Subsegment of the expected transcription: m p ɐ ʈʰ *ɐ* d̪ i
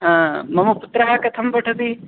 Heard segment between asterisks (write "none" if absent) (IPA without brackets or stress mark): ɐ